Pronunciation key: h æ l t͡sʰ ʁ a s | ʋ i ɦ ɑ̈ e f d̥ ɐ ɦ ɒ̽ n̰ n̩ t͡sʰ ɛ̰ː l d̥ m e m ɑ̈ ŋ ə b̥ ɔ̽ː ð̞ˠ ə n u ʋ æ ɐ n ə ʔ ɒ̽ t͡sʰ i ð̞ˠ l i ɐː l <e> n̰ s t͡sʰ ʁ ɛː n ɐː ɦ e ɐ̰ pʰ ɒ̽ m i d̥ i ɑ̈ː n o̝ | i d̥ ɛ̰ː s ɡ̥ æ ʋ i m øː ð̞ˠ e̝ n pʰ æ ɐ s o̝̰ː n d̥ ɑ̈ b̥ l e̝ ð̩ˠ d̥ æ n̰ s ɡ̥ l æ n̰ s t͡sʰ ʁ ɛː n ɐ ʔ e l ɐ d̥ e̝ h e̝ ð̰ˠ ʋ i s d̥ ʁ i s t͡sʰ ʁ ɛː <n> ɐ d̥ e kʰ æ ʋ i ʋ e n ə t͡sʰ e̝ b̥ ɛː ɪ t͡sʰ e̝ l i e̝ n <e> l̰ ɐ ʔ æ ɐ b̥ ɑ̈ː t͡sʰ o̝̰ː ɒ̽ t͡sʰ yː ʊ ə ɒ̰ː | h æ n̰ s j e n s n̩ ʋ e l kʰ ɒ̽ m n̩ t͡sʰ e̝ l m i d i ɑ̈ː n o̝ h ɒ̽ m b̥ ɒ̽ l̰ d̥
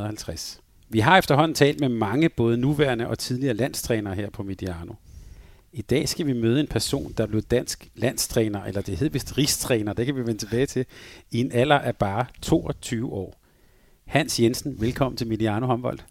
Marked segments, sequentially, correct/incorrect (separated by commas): incorrect, correct, incorrect